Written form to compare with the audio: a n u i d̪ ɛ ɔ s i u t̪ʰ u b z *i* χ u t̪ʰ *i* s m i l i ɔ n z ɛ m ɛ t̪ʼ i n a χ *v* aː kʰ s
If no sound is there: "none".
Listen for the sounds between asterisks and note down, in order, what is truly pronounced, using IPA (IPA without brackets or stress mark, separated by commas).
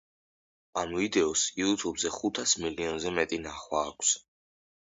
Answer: ɛ, a, w